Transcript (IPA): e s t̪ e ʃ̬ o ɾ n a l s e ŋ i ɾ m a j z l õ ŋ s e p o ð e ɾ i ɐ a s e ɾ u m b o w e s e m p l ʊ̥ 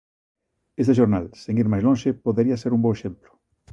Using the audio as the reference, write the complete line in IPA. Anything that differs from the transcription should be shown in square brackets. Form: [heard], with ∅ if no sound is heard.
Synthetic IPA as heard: e s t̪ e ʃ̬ o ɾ n a l s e ŋ i ɾ m a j z l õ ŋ [ʃ] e p o ð e ɾ i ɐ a s e ɾ u m b o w e [ʃ] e m p l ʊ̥